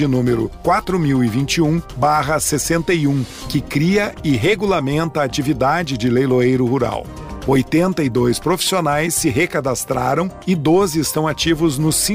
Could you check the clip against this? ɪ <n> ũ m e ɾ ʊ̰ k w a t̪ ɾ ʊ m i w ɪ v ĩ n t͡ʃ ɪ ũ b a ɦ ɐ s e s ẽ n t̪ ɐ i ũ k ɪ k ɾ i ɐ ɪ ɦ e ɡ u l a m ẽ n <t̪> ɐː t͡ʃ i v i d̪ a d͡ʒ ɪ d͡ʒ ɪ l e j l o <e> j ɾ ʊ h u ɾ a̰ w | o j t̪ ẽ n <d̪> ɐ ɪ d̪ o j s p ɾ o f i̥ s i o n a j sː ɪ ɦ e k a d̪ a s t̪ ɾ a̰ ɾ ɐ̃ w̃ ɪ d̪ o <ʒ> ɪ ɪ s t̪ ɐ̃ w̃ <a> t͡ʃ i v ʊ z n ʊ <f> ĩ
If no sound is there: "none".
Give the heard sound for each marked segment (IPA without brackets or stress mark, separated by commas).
n, t̪, e, t̪, z, a, s